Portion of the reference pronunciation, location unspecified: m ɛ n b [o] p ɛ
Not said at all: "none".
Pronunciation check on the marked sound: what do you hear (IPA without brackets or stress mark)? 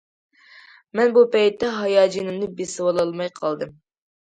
u